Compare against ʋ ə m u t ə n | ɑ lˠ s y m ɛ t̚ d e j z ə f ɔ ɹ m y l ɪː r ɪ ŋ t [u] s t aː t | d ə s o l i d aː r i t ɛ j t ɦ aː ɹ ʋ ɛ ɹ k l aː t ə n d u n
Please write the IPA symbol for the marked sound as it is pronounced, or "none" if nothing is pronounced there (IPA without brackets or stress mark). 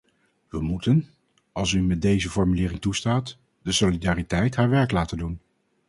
u